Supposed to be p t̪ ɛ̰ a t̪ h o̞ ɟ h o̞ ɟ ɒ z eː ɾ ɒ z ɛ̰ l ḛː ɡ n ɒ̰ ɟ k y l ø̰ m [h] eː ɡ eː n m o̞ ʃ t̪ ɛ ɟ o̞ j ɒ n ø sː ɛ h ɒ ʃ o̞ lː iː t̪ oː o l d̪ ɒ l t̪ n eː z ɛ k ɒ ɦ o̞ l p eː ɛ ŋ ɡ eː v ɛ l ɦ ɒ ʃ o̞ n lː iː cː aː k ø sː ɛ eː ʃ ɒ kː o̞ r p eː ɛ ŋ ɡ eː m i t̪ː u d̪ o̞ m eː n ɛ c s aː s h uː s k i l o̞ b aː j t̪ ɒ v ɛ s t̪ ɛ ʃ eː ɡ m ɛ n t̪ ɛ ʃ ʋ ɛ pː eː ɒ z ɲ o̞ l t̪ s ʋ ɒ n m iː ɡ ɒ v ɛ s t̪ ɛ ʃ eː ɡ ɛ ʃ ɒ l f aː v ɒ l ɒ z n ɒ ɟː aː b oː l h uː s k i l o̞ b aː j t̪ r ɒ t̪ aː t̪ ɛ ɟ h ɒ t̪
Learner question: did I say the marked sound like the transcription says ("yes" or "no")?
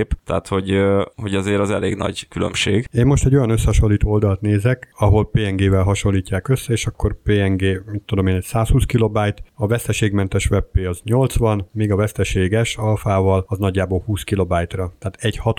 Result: no